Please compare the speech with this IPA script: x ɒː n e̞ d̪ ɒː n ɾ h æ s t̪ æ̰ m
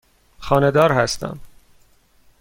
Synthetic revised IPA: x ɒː n e̞ d̪ ɒː ɾ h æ s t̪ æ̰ m